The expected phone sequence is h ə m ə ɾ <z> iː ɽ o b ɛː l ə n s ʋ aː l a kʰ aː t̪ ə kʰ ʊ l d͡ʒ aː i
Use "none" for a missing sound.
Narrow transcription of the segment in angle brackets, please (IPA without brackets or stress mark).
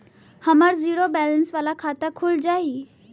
z